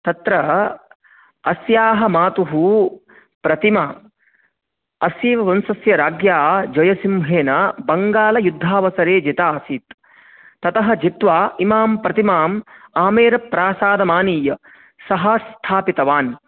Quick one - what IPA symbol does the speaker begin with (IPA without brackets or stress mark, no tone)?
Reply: t̪